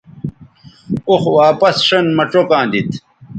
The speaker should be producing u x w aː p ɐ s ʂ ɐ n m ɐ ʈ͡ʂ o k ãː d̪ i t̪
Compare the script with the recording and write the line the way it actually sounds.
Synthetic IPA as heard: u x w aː p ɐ s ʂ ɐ n m ɐ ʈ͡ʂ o k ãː d̪ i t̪